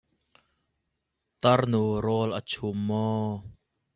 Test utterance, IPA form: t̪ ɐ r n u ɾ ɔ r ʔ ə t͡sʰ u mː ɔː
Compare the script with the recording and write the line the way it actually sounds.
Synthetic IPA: t̪ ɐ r n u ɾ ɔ l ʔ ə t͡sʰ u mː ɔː

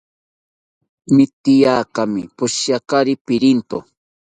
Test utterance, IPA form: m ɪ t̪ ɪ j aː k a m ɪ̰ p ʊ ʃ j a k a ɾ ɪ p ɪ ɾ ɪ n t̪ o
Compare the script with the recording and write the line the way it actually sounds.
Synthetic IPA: m ɪ t̪ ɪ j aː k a m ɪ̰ p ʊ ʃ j a k a ɾ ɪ p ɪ ɾ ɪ n t̪ o

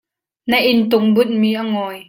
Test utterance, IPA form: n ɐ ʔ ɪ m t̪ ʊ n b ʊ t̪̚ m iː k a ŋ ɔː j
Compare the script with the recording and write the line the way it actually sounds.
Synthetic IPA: n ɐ ʔ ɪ n t̪ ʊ ŋ b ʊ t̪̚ m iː ʔ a ŋ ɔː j

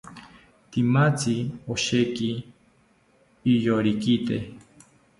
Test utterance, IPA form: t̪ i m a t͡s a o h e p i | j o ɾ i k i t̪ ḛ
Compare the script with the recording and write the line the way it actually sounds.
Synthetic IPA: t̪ i m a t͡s i o ʃ e k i | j o ɾ i k i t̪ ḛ

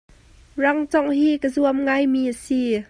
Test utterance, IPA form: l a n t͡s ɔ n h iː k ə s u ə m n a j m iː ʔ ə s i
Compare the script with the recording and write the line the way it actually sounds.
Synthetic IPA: r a ŋ t͡s ɔ ŋ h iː k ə z u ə m ŋ a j m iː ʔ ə s i

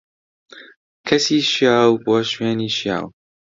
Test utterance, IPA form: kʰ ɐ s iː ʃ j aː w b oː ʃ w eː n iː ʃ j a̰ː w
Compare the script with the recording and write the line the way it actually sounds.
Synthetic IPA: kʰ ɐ s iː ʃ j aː w b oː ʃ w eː n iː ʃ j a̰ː w

